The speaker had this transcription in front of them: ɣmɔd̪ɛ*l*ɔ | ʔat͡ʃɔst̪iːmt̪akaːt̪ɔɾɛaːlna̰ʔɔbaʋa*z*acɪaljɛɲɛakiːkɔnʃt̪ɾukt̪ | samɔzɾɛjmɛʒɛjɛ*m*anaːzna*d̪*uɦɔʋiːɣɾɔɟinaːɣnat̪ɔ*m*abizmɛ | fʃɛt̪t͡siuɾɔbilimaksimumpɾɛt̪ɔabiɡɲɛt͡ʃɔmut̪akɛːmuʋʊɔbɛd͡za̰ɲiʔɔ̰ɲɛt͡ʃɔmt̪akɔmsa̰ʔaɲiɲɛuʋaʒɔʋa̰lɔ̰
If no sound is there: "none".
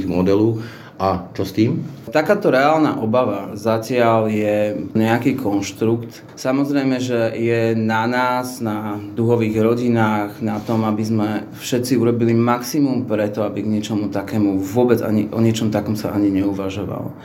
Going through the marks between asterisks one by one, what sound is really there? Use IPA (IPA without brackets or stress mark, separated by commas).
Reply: l, z, n, d̪, m